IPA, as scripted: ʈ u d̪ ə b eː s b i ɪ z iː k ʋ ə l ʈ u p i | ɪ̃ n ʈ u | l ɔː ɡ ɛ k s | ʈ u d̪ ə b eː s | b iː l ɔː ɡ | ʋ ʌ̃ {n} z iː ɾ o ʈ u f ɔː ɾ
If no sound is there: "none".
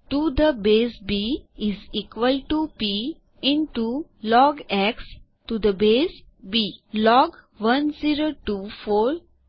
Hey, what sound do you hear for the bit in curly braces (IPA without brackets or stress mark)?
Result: n